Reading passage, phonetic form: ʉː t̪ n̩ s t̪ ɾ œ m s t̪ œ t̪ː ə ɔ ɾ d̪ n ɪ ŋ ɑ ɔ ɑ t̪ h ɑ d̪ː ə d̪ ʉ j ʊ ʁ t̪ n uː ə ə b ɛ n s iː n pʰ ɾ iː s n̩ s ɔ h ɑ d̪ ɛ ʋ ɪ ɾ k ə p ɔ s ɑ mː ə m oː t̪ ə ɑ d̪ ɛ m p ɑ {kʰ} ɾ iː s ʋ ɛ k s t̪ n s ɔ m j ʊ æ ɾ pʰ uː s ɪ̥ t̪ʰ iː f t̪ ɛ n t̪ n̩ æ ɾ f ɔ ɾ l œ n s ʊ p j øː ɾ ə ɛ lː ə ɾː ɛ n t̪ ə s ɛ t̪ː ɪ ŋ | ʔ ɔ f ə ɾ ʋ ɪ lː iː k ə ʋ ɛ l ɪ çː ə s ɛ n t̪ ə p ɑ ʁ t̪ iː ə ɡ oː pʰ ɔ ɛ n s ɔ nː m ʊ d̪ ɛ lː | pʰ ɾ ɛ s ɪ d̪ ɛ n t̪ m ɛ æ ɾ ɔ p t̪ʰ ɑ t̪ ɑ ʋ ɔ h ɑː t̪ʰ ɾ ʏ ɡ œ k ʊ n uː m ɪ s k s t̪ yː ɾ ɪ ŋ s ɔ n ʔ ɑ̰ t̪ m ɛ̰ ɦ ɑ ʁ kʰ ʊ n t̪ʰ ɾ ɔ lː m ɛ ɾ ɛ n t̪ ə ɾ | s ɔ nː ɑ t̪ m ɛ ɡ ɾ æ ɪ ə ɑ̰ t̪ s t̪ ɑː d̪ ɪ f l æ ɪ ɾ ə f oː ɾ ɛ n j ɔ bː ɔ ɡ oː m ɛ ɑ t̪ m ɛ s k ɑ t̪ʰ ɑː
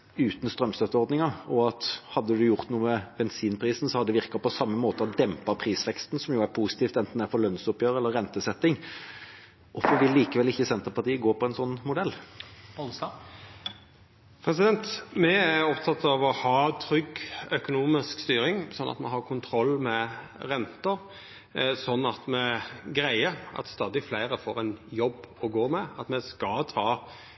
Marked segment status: incorrect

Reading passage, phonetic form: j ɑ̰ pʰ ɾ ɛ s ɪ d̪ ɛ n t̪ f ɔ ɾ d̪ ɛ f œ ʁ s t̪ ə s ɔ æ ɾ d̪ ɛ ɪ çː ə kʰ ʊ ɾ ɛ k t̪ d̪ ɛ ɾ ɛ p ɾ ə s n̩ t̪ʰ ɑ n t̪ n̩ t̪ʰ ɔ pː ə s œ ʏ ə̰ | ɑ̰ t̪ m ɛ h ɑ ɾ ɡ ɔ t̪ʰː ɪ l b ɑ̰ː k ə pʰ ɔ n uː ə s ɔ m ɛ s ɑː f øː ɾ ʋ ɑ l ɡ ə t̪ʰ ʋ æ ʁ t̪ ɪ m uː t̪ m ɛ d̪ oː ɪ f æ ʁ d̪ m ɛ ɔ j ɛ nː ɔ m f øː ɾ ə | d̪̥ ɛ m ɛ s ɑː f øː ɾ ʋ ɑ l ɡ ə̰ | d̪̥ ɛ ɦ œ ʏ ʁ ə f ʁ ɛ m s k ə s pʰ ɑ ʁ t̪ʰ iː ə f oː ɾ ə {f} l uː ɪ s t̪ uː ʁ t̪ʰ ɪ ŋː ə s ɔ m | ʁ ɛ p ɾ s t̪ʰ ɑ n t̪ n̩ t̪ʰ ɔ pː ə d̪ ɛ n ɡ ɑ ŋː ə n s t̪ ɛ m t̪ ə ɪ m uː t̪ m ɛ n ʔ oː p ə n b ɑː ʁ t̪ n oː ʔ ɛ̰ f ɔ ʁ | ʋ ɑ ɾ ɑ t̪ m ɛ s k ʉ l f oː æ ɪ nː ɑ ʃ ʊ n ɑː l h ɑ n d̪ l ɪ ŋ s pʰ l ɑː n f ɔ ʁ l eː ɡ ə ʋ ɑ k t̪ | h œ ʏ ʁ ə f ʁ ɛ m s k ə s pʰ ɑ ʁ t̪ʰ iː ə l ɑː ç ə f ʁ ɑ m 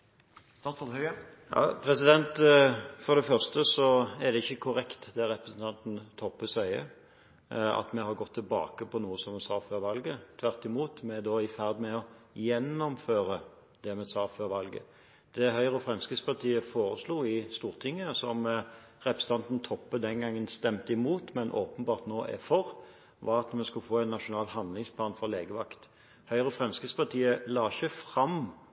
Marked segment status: incorrect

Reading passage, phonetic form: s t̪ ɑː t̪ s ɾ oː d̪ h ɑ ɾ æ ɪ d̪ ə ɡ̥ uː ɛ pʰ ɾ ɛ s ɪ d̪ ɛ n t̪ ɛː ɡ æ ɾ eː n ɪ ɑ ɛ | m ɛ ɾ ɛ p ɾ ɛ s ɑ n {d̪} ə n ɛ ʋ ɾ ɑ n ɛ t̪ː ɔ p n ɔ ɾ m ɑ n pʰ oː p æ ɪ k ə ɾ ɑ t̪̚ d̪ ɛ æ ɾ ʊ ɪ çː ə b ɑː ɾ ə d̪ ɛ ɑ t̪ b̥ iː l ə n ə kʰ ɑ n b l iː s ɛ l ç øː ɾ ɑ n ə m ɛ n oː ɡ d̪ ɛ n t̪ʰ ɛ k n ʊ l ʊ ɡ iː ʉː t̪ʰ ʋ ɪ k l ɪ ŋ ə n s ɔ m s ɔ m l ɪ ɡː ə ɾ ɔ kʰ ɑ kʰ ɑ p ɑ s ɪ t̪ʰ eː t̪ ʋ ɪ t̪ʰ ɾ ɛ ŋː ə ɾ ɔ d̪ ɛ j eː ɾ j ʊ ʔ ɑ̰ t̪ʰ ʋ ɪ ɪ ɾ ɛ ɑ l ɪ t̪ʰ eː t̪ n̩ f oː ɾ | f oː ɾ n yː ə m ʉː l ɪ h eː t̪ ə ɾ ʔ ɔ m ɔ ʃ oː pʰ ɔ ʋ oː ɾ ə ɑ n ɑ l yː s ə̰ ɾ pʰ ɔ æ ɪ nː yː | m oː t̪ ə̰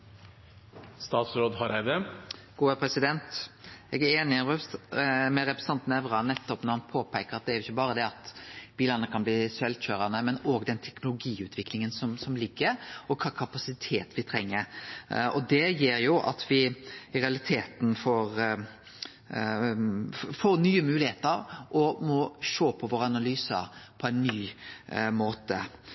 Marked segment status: incorrect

